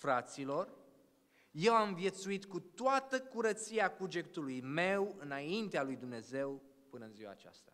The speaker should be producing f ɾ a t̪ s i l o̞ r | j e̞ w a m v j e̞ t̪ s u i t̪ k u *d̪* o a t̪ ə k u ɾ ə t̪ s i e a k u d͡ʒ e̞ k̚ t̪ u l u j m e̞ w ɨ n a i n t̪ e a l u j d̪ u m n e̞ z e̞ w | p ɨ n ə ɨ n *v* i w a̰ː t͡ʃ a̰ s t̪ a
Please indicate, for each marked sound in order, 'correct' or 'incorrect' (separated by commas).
incorrect, incorrect